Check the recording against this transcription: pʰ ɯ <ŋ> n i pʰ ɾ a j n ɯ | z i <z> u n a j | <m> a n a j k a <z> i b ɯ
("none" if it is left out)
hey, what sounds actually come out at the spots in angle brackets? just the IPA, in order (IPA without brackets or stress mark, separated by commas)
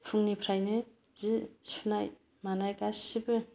ŋ, s, m, s